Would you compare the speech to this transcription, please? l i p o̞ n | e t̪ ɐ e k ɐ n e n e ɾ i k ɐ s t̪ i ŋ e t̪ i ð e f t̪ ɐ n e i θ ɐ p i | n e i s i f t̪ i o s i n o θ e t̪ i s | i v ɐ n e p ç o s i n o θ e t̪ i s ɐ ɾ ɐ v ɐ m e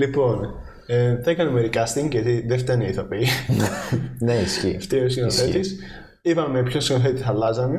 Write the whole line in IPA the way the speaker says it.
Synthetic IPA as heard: l i p o̞ n | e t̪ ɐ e k ɐ n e m e ɾ i k ɐ s t̪ i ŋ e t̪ i ð e f t̪ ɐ n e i θ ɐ p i | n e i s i f t̪ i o s i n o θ e t̪ i s | i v ɐ m e p ç o s i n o θ e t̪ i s ɐ l ɐ z ɐ m e